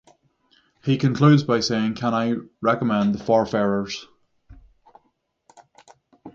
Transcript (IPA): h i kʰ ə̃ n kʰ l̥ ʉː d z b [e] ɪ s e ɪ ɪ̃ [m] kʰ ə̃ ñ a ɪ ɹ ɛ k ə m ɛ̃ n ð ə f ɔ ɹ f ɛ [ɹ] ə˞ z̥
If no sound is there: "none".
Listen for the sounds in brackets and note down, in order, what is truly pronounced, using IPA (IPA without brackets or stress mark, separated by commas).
a, ŋ, ɹ